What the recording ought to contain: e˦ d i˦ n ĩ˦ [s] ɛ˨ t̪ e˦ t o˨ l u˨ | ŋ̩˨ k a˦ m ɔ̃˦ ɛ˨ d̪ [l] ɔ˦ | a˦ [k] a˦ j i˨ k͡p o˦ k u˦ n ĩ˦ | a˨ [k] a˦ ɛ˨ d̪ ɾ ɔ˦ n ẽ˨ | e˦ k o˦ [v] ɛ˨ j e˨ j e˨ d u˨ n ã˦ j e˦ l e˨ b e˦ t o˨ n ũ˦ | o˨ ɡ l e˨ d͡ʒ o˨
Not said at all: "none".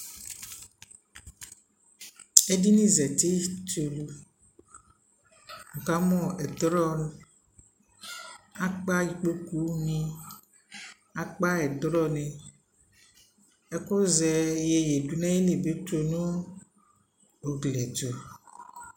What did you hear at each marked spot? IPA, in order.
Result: z, ɾ, k͡p, k͡p, z

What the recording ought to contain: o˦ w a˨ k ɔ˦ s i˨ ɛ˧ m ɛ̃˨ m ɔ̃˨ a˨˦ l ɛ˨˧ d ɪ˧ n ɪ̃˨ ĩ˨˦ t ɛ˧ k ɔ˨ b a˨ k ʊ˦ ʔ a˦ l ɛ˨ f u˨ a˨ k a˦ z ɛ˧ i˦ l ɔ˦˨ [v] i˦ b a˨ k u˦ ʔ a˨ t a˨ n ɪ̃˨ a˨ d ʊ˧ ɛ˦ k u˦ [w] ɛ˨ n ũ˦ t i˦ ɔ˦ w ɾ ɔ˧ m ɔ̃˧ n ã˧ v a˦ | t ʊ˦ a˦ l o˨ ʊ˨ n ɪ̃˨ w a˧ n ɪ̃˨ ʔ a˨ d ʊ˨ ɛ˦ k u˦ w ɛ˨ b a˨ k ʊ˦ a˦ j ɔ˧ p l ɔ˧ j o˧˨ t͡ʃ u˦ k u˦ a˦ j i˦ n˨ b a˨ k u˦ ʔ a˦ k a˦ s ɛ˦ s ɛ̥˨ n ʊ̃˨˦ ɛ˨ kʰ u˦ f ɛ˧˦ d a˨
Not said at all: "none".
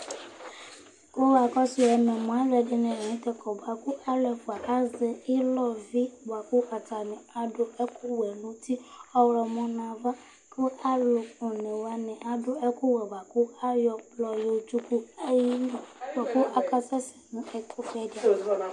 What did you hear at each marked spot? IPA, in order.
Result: v, w

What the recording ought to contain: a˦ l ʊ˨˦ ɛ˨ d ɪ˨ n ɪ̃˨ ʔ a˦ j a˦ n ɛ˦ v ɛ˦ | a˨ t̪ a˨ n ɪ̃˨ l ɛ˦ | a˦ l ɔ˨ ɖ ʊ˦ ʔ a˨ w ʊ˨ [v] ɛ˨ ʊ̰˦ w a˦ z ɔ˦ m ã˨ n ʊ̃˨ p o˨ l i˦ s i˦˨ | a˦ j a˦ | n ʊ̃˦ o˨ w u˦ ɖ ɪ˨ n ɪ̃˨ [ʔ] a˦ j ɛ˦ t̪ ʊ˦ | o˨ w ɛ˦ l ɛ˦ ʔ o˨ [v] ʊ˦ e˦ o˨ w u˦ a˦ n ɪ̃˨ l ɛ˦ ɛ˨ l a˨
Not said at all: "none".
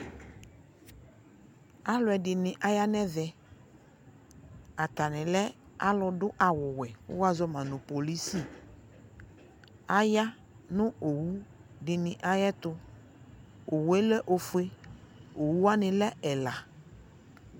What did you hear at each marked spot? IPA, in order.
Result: w, ʔ, f

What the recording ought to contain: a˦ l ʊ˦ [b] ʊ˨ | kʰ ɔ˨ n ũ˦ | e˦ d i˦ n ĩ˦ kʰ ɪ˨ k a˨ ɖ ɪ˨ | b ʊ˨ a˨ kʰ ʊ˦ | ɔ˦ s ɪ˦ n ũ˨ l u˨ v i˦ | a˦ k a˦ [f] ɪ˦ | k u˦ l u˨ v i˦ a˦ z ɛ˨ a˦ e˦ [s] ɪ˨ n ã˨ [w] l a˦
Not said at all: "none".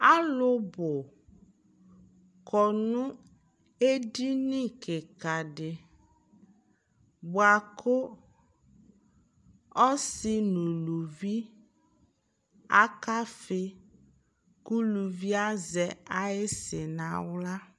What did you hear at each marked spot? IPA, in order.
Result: b, f, s, w

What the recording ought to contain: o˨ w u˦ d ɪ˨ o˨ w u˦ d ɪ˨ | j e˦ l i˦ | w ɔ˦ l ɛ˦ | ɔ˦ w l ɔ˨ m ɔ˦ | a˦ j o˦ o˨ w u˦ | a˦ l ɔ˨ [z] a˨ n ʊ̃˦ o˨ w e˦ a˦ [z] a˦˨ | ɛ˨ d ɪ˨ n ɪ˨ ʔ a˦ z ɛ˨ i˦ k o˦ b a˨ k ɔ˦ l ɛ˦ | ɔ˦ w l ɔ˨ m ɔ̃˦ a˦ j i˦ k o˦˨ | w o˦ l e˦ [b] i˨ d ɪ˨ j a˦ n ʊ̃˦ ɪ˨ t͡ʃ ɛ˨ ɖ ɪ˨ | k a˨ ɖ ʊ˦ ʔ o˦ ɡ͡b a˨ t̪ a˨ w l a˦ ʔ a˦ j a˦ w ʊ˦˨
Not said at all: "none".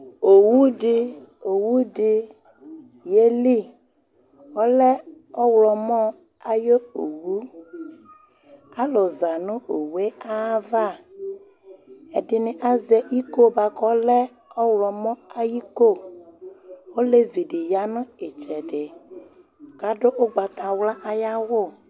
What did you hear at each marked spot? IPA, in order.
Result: z, v, v

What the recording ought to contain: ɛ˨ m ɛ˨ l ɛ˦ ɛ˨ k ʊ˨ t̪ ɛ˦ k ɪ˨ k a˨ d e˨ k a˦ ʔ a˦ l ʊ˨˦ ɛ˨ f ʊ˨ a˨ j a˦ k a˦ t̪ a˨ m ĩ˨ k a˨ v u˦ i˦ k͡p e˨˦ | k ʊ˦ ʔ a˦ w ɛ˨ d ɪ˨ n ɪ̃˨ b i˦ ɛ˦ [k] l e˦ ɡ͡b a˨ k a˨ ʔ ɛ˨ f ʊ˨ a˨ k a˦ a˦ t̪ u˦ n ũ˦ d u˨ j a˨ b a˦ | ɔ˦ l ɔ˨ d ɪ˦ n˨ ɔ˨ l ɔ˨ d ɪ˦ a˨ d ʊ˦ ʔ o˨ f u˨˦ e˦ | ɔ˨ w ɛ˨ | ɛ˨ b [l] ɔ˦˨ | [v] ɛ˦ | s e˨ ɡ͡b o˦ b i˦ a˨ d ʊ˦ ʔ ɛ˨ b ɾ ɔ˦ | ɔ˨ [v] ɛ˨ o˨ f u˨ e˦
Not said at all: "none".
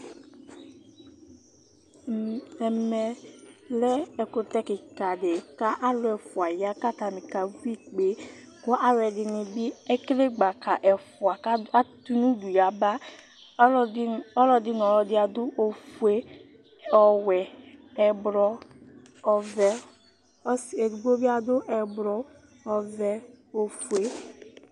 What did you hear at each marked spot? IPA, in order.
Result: k, ɾ, v, v

